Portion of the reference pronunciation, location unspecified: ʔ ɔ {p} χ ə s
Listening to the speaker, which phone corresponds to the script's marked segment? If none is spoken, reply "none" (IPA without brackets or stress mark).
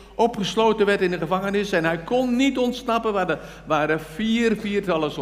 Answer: p